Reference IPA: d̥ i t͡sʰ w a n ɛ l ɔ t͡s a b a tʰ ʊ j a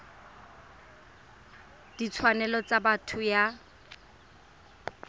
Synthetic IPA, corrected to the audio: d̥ i t͡sʰ w a n ɛ l ɔ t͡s a b a tʰ ʊ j a